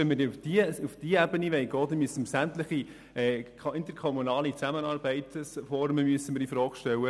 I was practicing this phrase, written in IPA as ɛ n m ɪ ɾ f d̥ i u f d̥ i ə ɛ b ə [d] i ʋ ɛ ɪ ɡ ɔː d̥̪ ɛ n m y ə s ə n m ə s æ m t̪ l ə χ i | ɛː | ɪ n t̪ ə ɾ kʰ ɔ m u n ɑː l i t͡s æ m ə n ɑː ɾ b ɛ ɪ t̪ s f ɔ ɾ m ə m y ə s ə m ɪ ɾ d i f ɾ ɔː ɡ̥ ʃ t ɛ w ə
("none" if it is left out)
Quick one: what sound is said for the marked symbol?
n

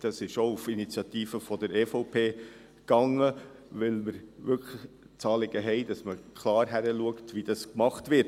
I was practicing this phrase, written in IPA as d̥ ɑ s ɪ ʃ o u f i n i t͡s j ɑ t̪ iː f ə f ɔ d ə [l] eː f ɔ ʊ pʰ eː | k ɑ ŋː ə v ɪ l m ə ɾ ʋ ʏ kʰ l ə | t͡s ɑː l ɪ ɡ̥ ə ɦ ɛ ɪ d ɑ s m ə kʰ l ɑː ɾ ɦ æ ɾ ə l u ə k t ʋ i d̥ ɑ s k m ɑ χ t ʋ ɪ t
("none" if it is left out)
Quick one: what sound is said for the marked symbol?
ɾ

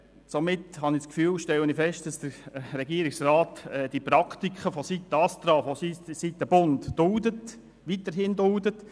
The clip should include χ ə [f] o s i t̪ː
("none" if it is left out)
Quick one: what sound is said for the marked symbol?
f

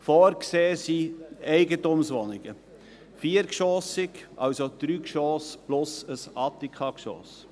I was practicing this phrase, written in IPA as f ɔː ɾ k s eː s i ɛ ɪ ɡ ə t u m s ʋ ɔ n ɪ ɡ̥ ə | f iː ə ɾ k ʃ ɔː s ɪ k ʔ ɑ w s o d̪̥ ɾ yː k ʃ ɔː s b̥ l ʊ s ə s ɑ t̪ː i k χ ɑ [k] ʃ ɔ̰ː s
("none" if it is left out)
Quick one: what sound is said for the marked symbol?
k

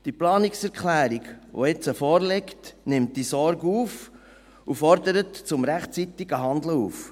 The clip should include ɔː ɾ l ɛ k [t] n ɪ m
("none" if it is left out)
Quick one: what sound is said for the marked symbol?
t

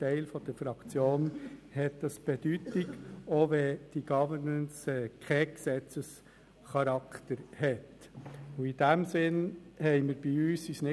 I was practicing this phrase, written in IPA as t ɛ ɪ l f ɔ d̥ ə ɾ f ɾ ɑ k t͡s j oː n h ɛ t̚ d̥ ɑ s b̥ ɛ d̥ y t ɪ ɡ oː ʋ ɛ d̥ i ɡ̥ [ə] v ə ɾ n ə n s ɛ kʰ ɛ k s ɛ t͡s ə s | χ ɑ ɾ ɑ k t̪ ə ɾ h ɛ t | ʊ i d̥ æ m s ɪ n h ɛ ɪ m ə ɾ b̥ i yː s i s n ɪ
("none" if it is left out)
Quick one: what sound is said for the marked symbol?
ɑ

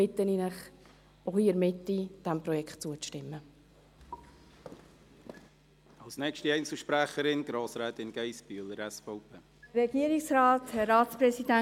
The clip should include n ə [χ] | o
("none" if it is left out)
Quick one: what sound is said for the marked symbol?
χ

